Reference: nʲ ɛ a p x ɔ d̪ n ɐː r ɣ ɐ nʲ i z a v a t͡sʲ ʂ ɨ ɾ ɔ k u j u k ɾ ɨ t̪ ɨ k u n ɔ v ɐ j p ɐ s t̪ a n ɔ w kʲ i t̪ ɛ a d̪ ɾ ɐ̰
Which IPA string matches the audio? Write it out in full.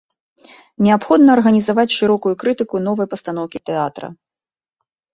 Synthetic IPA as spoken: nʲ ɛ a p x ɔ d̪ n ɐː r ɣ ɐ nʲ i z a v a t͡sʲ ʂ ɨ ɾ ɔ k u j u k ɾ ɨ t̪ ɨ k u n ɔ v ɐ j p ɐ s t̪ a n ɔ w kʲ i t̪ ɛ a t̪ ɾ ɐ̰